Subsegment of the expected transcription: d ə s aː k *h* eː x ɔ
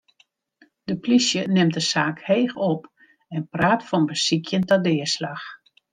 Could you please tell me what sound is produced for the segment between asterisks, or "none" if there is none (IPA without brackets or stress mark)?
h